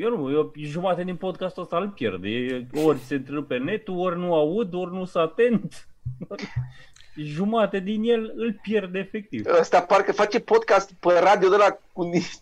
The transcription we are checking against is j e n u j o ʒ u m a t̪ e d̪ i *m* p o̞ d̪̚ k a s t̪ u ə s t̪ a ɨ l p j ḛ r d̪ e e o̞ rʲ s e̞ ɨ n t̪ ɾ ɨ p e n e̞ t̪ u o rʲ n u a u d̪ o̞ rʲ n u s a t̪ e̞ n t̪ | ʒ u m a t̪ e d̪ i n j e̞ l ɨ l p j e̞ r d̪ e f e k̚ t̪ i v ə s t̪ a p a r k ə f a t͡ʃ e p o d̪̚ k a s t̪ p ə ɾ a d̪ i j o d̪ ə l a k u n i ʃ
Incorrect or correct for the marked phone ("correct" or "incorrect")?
incorrect